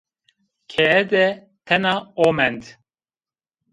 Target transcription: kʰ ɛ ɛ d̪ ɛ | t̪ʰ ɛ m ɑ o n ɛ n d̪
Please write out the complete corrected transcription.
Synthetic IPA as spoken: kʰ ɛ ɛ d̪ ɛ | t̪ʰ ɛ n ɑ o m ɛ n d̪